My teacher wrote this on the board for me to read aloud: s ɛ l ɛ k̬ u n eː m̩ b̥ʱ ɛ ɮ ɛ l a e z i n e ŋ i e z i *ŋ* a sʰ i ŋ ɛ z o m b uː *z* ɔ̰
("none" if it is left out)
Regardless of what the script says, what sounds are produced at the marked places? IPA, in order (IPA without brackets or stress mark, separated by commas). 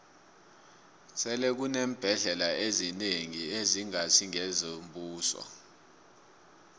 ŋ, s